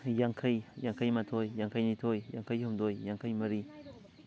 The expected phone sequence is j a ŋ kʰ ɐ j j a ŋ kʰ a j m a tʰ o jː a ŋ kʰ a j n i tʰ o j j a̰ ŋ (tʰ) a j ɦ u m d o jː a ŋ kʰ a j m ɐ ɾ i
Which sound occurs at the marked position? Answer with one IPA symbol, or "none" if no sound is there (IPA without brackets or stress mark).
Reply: kʰ